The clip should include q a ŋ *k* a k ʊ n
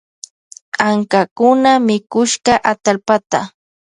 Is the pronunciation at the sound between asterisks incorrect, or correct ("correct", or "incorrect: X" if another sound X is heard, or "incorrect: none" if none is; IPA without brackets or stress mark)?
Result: correct